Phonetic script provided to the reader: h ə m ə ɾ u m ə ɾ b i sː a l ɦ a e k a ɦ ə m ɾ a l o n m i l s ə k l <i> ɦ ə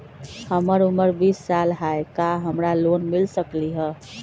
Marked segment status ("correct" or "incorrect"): correct